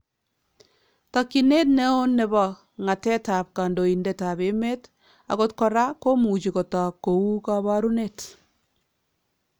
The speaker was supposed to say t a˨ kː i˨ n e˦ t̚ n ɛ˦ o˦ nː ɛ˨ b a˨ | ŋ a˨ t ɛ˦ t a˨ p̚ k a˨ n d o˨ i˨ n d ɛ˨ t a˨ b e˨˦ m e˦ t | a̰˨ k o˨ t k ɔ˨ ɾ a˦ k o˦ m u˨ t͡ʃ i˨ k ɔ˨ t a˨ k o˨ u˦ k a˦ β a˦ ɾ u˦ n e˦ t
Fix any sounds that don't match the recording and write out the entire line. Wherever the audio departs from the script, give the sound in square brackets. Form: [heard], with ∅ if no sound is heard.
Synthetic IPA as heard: t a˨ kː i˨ n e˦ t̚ n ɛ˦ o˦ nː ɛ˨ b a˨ | ŋ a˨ t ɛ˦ t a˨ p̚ k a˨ n d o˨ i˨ n d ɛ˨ t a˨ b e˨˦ m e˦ t | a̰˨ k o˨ t k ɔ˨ ɾ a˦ k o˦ m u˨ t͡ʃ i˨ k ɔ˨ t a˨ k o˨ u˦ k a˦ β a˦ ɾ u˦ n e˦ t